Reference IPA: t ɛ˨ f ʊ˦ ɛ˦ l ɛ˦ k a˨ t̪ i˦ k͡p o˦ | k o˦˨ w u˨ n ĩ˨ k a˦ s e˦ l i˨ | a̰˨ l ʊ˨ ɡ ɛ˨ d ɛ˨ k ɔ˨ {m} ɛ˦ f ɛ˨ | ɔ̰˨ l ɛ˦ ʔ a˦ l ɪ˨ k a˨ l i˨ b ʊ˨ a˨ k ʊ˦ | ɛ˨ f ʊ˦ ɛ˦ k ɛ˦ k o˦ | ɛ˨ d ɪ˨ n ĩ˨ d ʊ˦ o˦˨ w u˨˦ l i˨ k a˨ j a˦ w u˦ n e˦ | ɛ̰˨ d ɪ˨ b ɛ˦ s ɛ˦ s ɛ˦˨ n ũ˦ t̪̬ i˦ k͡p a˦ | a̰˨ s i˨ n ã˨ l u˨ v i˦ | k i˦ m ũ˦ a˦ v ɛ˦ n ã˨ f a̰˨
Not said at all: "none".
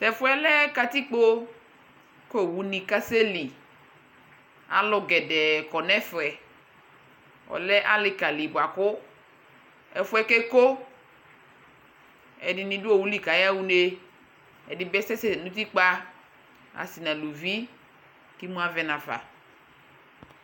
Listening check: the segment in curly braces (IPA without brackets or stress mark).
n